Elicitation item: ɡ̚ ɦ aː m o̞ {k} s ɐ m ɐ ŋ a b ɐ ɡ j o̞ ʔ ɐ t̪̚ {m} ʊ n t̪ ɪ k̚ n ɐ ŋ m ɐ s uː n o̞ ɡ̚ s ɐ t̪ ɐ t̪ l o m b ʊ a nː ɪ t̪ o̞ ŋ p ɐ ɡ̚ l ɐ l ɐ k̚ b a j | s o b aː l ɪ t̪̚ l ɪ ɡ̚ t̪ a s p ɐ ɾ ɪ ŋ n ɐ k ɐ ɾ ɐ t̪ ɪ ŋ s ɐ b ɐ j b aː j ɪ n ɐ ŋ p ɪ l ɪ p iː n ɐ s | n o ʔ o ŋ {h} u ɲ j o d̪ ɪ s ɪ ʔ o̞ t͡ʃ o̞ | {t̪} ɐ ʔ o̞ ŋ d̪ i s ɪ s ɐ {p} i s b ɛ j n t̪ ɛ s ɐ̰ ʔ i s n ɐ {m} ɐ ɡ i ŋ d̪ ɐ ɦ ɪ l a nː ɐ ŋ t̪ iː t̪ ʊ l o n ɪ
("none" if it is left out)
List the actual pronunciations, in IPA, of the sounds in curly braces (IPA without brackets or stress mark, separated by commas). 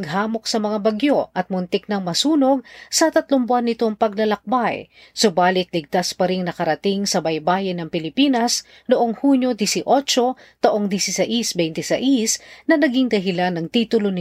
k, m, h, t̪, ʔ, n